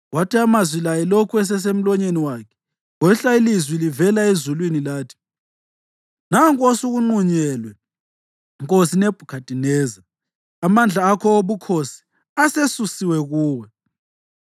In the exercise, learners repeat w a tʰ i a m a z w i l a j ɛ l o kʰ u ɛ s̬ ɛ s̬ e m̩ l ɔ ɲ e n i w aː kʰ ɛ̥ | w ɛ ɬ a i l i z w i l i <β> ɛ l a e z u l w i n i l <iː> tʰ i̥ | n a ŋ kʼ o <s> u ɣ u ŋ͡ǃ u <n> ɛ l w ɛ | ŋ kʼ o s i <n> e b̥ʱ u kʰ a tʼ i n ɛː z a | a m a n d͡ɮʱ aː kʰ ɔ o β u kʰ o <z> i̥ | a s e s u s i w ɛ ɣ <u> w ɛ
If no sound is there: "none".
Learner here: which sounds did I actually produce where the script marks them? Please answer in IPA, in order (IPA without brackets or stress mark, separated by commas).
v, aː, s, ɲ, n, s, uː